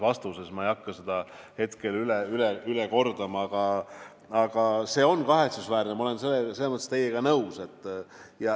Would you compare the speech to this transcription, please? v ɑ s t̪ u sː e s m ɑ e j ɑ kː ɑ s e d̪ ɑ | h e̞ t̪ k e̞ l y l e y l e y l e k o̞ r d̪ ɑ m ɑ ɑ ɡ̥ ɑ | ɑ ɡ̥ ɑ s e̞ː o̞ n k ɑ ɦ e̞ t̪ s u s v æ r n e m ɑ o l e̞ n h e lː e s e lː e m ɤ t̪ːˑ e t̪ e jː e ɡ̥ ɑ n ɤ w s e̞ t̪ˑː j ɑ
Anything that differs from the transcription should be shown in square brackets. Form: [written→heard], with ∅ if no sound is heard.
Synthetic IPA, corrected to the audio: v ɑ s t̪ u [sː→s] e s m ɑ e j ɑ kː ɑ s e d̪ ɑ | h e̞ t̪ k e̞ l y l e y l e y l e k o̞ r d̪ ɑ m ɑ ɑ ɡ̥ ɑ | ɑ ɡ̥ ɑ s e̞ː o̞ n k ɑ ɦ e̞ t̪ s u s v [æ→æː] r n e m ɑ o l e̞ n [h→s] e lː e s e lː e m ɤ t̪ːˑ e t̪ e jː e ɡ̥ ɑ n ɤ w s e̞ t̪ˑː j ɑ